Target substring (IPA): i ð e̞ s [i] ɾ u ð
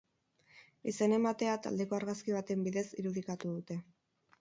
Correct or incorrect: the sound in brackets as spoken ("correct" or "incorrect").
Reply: correct